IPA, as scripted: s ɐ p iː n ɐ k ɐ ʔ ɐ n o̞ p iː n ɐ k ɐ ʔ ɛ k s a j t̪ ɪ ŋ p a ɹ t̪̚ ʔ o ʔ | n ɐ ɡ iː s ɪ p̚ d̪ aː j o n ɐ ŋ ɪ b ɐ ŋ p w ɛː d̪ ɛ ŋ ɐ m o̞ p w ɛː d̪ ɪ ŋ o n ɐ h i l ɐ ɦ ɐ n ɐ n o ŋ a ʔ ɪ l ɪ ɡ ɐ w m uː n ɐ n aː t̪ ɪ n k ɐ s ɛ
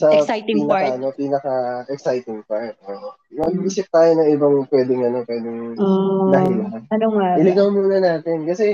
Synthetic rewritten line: s ɐ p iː n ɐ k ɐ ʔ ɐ n o̞ p iː n ɐ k ɐ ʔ ɛ k s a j t̪ ɪ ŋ p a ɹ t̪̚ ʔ o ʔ | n ɐ ɡ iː s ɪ p̚ t̪ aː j o n ɐ ŋ ɪ b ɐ ŋ p w ɛː d̪ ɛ ŋ ɐ n o̞ p w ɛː d̪ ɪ ŋ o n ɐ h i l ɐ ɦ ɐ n ɐ n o ŋ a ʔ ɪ l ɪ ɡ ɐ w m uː n ɐ n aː t̪ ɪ n k ɐ s ɛ